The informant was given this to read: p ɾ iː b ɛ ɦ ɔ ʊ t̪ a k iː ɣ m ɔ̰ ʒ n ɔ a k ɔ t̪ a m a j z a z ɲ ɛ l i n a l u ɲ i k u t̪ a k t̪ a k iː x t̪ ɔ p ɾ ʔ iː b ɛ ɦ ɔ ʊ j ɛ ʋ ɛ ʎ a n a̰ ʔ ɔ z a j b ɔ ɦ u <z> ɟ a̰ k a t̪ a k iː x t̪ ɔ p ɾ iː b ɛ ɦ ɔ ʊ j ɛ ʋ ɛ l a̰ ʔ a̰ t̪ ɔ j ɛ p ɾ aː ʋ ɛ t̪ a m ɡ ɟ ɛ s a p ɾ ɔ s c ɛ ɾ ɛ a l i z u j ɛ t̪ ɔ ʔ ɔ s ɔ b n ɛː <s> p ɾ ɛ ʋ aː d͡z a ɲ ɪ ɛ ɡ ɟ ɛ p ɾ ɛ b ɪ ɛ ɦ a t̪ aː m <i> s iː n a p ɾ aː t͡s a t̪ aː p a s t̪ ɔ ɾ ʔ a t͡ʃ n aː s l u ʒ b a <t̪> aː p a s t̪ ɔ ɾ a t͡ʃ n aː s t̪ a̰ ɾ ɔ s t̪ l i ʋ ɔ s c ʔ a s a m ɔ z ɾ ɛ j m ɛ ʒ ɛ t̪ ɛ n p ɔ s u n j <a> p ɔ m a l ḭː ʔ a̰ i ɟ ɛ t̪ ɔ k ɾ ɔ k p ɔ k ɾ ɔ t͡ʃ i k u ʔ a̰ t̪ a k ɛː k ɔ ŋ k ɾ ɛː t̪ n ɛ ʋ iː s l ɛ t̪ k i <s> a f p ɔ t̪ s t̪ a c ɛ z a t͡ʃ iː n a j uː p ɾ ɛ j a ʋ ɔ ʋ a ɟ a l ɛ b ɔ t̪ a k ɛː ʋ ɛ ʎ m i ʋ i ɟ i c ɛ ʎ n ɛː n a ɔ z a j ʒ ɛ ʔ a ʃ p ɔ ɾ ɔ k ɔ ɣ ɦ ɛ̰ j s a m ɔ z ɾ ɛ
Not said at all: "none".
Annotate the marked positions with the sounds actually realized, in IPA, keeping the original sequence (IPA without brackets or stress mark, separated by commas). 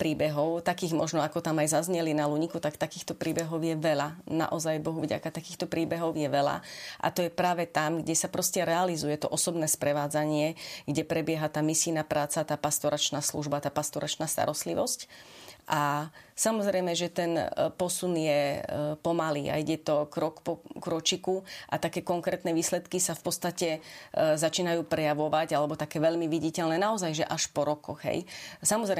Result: v, s, i, t̪, ɛ, s